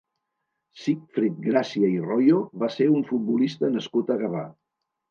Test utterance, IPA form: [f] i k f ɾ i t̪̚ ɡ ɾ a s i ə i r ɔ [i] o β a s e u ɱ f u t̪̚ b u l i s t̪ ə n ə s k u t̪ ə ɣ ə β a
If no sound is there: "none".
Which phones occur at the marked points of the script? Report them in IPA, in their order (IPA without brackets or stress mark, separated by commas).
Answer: s, j